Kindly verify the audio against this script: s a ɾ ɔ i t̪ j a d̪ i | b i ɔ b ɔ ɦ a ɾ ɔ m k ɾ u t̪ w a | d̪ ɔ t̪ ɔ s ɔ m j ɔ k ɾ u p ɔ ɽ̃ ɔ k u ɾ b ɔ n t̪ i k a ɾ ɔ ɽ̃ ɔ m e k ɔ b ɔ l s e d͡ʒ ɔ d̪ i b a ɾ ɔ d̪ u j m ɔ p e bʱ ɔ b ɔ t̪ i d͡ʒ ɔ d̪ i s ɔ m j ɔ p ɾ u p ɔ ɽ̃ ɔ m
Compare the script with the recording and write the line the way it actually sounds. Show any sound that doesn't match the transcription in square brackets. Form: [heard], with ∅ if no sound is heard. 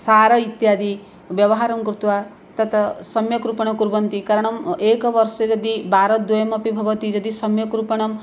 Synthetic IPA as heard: s a ɾ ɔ i t̪ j a d̪ i | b [j] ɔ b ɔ ɦ a ɾ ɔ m k ɾ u t̪ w a | [t̪] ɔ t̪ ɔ s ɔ m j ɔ k ɾ u p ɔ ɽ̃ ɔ k u ɾ b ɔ n t̪ i k a ɾ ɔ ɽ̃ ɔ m e k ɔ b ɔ [ɾ] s e d͡ʒ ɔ d̪ i b a ɾ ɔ d̪ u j m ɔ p [i] bʱ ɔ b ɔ t̪ i d͡ʒ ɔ d̪ i s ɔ m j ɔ [k] ɾ u p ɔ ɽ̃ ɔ m